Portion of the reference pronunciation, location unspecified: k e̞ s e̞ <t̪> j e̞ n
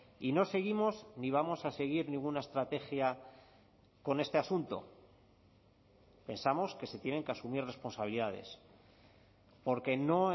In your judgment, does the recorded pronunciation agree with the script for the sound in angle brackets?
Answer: yes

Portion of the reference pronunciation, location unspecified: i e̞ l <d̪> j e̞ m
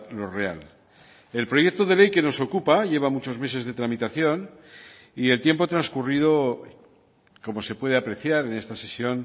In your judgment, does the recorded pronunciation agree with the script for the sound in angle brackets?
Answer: no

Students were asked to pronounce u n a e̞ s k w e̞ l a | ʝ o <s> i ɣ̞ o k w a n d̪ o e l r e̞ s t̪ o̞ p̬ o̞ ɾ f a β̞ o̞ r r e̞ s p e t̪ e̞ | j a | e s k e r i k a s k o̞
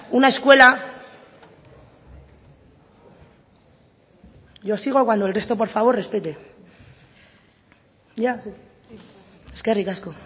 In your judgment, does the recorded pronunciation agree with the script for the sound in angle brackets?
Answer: yes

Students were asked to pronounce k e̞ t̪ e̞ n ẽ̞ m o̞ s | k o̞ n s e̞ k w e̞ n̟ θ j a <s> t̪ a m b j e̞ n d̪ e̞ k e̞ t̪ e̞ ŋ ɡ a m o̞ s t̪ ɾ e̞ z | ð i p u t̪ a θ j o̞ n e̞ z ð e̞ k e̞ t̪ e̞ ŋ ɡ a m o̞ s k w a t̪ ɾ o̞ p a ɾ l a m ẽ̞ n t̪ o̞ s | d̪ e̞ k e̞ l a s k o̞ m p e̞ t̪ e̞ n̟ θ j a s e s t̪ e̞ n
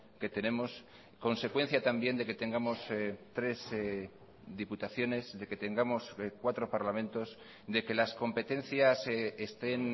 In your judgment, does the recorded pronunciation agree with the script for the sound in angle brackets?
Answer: no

